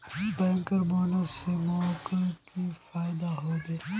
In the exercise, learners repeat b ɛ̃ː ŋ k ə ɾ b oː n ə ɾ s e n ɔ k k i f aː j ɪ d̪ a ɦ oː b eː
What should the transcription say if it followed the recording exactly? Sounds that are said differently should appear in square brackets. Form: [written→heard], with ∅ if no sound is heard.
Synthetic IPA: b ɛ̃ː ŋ k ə ɾ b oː n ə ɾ s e [n→m] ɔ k k i f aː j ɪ d̪ a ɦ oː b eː